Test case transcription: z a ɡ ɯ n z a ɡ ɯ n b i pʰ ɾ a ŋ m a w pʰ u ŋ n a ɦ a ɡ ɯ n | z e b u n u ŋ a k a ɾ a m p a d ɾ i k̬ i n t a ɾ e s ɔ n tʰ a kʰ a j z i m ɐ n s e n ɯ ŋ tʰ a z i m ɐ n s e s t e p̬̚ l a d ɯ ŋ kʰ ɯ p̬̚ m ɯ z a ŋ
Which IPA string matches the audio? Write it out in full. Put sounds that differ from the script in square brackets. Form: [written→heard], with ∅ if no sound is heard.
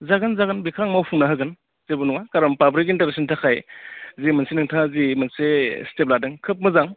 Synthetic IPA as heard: z a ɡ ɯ n z a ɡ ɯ n b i [pʰ→kʰ] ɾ a ŋ m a w pʰ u ŋ n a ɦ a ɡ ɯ n | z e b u n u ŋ a k a ɾ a m p a [d→b] ɾ i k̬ i n t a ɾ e s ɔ n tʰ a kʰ a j z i m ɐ n s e n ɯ ŋ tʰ a z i m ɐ n s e s t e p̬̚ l a d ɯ ŋ kʰ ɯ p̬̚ m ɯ z a ŋ